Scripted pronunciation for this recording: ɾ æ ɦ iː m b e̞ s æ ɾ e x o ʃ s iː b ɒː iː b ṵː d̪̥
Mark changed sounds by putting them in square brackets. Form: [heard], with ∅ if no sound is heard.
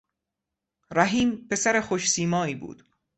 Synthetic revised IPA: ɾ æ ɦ iː m [p] e̞ s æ ɾ e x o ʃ s iː [m] ɒː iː b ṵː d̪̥